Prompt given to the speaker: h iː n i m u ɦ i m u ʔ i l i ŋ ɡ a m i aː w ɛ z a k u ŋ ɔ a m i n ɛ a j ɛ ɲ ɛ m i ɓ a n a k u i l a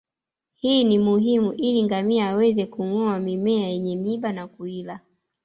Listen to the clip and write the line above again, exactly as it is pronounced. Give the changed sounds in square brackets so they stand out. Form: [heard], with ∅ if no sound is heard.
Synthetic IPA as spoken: h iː n i m u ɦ i m u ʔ i l i ŋ ɡ a m i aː w ɛ z [ɛ] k u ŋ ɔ a m i [m] ɛ a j ɛ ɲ ɛ m i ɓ a n a k u i l a

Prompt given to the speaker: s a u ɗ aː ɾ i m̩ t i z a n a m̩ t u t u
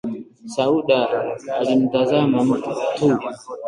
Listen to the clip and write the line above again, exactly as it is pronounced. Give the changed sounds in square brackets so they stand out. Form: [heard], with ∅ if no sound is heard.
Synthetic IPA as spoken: s a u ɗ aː [l] i m̩ t [a] z a [m] a m̩ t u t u

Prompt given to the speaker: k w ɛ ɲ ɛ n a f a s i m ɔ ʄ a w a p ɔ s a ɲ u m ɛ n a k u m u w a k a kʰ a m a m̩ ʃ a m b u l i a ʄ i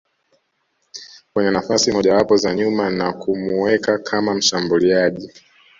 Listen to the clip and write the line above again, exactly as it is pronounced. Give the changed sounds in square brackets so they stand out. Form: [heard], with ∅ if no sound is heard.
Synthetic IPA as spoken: k w ɛ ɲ ɛ n a f a s i m ɔ ʄ a w a p ɔ [z] a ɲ u m [a] n a k u m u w [ɛ] k a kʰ a m a m̩ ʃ a m b u l i a ʄ i

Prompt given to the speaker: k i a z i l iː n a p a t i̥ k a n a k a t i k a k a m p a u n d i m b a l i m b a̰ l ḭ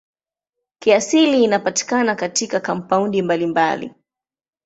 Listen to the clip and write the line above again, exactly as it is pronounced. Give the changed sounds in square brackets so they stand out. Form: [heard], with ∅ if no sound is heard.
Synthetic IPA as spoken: k i a [s] i l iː n a p a t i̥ k a n a k a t i k a k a m p a u n d i m b a l i m b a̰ l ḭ

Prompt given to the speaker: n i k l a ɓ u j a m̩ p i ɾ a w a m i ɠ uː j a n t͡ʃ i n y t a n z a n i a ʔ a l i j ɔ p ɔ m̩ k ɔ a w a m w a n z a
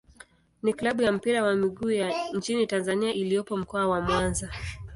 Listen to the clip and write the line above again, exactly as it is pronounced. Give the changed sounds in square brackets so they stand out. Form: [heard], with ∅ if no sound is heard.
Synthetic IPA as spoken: n i k l a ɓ u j a m̩ p i ɾ a w a m i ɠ uː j a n t͡ʃ i n [i] t a n z a n i a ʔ [i] l i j ɔ p ɔ m̩ k ɔ a w a m w a n z a

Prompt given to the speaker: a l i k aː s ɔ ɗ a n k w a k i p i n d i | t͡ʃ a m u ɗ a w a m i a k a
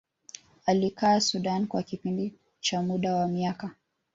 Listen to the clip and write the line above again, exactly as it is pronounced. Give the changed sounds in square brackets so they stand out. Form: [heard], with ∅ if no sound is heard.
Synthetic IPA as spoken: a l i k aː s [u] ɗ a n k w a k i p i n d i | t͡ʃ a m u ɗ a w a m i a k a

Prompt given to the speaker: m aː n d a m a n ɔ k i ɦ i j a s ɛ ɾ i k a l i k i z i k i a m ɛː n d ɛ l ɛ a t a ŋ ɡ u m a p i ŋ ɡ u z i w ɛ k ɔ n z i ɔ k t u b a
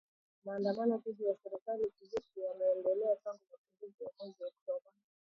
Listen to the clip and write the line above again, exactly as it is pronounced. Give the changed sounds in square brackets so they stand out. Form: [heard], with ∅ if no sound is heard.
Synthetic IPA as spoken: m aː n d a m a n ɔ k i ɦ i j a s ɛ ɾ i k a l i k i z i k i a m ɛː n d ɛ l ɛ a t a ŋ ɡ u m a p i ŋ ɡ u z i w [a] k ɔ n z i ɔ k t [ɔ] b a

